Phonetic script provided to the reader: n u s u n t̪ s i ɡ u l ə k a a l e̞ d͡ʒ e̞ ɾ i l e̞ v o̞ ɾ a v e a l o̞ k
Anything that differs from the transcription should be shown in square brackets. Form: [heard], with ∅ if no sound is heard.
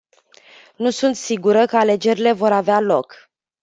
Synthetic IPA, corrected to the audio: n u s u n t̪ s i ɡ u [ɾ] ə k [ə] a l e̞ d͡ʒ e̞ ɾ i l e̞ v o̞ ɾ a v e a l o̞ k